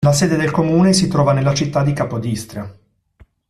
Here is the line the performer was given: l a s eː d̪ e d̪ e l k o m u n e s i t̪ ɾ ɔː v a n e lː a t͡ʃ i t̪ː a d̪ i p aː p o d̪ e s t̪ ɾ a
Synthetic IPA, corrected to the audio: l a s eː d̪ e d̪ e l k o m uː n e s i t̪ ɾ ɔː v a n e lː a t͡ʃ i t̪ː a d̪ i k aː p o d̪ i s t̪ ɾ a